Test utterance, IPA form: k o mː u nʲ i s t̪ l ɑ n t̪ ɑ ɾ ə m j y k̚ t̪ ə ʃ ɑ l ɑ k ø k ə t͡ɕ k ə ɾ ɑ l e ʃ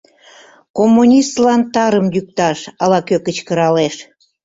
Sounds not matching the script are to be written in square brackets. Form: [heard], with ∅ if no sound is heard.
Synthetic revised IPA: k o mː u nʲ i s t̪ l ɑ n t̪ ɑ ɾ ə m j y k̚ t̪ [ɑ] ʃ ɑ l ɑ k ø k ə t͡ɕ k ə ɾ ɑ l e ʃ

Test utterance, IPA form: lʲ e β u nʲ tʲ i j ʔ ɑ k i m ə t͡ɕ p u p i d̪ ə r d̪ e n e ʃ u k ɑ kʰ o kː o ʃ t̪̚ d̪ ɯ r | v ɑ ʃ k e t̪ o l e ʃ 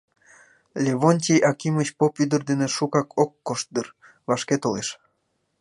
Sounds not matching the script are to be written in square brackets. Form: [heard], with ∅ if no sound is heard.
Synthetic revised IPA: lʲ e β [o] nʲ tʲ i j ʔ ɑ k i m ə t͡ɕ p [o] p [y] d̪ ə r d̪ e n e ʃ u k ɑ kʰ o kː o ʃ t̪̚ d̪ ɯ r | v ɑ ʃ k e t̪ o l e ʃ

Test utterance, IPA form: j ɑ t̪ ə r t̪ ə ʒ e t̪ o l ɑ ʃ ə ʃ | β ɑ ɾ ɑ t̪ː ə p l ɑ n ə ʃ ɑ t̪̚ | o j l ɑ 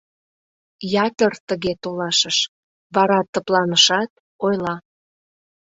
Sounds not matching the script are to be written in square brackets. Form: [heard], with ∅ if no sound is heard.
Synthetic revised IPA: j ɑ t̪ ə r t̪ ə [ɣ] e t̪ o l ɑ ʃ ə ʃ | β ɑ ɾ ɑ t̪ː ə p l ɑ n ə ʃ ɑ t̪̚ | o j l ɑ

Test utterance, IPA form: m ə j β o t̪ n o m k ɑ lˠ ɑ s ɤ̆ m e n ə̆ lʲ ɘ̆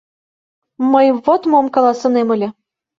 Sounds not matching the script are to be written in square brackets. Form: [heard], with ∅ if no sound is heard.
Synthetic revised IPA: m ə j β o t̪ [m] o m k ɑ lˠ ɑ s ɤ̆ [n] e [m] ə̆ lʲ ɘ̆

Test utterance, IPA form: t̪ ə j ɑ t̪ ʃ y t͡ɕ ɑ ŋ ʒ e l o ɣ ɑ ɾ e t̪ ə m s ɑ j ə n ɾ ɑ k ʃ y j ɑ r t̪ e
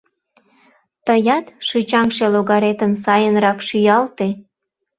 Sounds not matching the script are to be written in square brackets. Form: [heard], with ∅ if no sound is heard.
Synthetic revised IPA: t̪ ə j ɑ t̪ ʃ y t͡ɕ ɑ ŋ [ʃ] e l o ɣ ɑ ɾ e t̪ ə m s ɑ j ə n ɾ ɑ k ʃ y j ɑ [l] t̪ e

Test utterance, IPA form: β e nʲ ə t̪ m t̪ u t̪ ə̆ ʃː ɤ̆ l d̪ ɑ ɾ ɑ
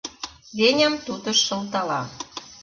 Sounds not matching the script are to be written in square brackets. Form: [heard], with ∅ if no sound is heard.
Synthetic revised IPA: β e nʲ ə [∅] m t̪ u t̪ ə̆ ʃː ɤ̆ l [t̪] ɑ [l] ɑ

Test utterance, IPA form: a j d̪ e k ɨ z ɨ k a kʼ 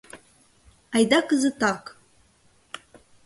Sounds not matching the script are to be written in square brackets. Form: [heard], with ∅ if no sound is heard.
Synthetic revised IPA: a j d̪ [a] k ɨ z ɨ [t] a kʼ

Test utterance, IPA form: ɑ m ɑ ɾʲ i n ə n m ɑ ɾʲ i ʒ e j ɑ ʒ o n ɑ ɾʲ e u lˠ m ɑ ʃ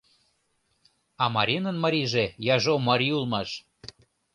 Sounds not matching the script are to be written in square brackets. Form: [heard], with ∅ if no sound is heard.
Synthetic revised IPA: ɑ m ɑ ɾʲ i n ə n m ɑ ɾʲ i ʒ e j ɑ ʒ o [m] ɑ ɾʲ [i] u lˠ m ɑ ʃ

